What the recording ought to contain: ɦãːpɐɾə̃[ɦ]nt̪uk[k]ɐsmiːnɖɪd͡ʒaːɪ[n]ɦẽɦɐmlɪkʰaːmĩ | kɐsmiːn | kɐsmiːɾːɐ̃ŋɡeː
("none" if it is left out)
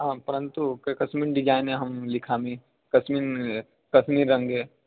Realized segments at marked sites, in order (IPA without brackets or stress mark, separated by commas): none, k, n